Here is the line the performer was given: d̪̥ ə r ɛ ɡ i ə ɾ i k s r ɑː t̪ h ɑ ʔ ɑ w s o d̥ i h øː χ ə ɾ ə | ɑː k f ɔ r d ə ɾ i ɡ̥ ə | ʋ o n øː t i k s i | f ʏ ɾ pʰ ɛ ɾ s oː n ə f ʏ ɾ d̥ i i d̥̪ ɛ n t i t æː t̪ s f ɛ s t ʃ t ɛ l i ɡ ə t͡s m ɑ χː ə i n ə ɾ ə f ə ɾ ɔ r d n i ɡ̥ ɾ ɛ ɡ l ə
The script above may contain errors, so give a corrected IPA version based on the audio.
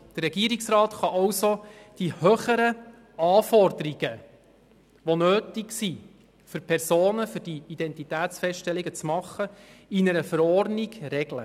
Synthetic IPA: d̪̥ ə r ɛ ɡ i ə ɾ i k s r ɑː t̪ χ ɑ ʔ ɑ w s o d̥ i h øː χ ə ɾ ə | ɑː f ɔ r d ə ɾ i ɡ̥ ə | ʋ o n øː t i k s i | f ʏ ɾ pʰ ɛ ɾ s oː n ə f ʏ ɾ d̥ i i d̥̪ ɛ n t i t æː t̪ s f ɛ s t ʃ t ɛ l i ɡ ə t͡s m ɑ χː ə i n ə ɾ ə f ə ɾ ɔ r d n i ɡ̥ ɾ ɛ ɡ l ə